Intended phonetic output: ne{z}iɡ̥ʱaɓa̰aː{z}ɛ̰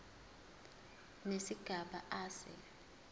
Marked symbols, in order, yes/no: no, no

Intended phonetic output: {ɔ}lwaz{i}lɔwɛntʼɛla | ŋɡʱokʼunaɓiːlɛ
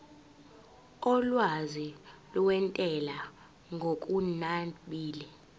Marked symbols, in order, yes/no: yes, yes

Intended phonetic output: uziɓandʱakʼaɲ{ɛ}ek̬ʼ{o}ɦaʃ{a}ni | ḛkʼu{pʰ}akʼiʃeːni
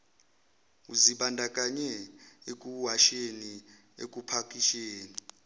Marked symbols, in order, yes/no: yes, no, no, yes

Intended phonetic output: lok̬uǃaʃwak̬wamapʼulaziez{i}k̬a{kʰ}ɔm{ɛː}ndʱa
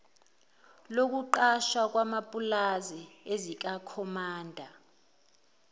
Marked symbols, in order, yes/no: yes, yes, no

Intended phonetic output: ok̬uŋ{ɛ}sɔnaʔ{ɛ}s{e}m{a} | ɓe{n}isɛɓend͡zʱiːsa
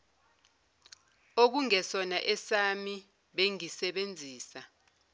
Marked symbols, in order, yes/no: yes, yes, no, no, no

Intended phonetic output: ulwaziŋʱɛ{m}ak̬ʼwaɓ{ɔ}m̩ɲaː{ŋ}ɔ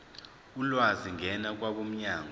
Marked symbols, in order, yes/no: no, no, yes

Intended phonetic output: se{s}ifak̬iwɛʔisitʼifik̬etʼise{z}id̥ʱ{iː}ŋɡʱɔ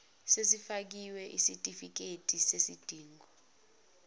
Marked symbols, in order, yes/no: yes, no, yes

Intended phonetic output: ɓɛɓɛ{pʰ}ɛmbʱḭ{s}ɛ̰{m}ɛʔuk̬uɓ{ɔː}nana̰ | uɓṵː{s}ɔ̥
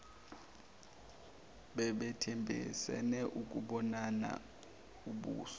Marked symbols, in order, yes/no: no, yes, no, no, yes

